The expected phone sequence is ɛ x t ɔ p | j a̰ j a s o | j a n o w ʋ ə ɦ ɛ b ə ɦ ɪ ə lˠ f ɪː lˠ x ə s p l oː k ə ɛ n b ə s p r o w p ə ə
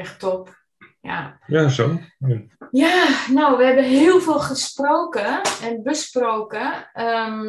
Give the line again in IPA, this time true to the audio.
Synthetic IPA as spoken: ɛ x t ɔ p | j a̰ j a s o | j a n o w ʋ ə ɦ ɛ b ə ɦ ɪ ə lˠ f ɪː lˠ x ə s p r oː k ə ɛ n b ə s p r o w k ə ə